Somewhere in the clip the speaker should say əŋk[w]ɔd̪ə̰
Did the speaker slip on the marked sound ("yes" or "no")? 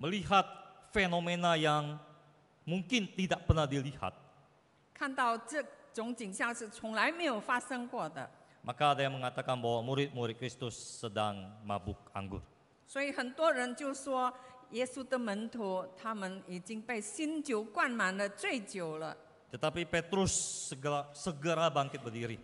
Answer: no